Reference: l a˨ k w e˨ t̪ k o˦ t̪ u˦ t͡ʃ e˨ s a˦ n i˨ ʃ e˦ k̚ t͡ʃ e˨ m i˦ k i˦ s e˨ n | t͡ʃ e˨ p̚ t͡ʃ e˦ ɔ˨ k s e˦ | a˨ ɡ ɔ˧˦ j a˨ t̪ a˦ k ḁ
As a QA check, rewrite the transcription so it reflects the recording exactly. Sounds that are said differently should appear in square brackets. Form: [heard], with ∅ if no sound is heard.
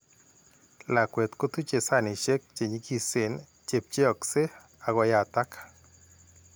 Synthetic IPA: l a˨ k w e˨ t̪ k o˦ t̪ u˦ t͡ʃ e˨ s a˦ n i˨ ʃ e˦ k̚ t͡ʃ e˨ [ɲ] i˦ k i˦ s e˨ n | t͡ʃ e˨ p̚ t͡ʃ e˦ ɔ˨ k s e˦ | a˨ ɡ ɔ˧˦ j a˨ t̪ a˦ k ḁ